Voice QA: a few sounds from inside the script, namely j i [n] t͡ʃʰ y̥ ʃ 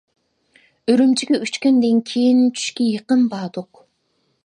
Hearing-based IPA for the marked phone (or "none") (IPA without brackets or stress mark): n